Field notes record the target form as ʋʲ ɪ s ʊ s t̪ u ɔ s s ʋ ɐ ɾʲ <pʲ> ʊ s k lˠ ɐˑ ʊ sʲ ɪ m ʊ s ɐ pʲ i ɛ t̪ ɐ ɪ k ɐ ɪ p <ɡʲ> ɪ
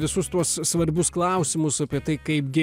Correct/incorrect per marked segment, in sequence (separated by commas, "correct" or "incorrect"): incorrect, correct